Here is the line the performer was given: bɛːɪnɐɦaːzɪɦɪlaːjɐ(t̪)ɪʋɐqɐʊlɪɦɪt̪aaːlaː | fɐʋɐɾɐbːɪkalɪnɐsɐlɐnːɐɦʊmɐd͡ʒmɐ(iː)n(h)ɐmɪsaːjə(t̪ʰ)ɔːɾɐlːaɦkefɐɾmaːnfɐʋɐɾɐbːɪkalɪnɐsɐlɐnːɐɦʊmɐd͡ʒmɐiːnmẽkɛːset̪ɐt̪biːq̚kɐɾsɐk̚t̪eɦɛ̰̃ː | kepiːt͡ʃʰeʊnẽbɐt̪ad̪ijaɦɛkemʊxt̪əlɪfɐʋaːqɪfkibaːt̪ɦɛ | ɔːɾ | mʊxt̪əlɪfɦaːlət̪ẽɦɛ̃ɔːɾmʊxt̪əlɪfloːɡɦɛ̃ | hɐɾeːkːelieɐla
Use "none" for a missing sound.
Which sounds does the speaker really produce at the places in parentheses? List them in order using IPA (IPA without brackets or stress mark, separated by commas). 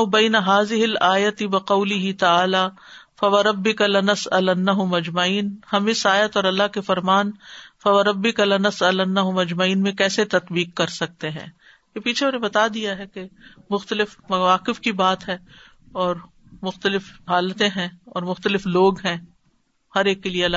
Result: t̪, iː, h, t̪